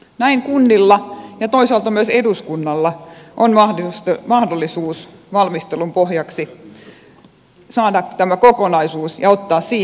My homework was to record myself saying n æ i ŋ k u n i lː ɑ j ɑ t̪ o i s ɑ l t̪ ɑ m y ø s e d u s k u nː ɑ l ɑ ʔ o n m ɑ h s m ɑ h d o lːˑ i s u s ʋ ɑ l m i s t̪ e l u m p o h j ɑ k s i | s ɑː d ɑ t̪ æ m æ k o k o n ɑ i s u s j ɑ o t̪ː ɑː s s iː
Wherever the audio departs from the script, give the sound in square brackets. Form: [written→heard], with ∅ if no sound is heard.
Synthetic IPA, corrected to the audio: n æ i ŋ k u [n→nː] i lː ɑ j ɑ t̪ o i s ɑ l t̪ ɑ m y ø s e d u s k u nː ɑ [l→lː] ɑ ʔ o n m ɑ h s m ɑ h d o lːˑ i s [u→uː] s ʋ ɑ l m i s t̪ e l u m p o h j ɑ k s i | s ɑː d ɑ t̪ æ m æ k o k o n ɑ i s [u→uː] s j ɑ o t̪ː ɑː s s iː